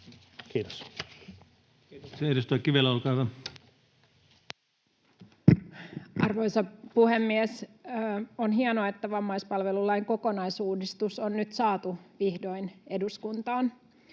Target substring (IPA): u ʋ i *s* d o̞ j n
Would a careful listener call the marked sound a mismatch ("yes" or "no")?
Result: yes